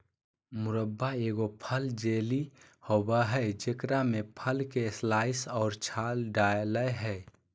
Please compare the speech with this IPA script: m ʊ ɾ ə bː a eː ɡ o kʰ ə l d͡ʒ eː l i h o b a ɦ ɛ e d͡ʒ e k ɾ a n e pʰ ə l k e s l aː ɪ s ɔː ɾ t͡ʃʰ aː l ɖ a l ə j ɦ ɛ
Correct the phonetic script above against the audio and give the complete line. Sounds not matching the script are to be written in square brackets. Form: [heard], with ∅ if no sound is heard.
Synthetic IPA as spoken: m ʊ ɾ ə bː a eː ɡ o [pʰ] ə l d͡ʒ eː l i h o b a ɦ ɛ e d͡ʒ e k ɾ a [m] e pʰ ə l k e s l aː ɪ s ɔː ɾ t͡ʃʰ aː l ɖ a l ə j ɦ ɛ